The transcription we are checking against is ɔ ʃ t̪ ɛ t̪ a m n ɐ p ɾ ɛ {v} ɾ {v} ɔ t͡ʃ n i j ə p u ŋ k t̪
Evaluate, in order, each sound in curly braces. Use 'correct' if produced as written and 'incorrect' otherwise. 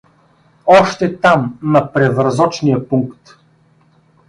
correct, incorrect: z

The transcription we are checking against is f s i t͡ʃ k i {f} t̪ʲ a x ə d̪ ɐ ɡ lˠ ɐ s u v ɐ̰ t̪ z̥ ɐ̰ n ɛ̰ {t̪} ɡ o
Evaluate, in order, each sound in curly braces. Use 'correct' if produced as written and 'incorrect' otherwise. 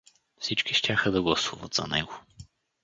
incorrect: ʃ, incorrect: none

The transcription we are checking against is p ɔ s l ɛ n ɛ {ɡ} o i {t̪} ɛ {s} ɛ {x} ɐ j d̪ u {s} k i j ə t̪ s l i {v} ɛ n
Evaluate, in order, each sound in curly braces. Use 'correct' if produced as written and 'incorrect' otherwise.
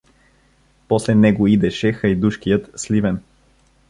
correct, incorrect: d̪, incorrect: ʃ, correct, incorrect: ʃ, correct

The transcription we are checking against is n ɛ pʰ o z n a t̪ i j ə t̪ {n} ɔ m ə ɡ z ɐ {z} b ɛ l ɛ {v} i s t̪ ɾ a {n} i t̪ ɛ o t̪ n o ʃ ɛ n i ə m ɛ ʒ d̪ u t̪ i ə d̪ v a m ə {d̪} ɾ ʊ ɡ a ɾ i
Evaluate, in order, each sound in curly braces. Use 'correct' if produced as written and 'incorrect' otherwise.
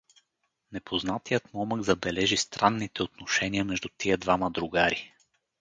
incorrect: m, incorrect: none, incorrect: ʒ, incorrect: nː, correct

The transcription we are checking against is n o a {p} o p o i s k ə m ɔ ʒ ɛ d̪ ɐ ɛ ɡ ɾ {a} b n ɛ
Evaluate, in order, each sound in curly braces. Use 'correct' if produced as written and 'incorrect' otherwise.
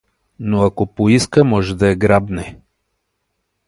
incorrect: k, correct

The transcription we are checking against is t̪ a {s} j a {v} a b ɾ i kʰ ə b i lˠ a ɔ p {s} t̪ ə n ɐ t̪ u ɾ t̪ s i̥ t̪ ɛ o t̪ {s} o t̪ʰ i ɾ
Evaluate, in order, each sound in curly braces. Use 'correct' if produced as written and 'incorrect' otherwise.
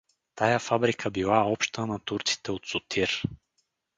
incorrect: none, incorrect: f, incorrect: ʃ, correct

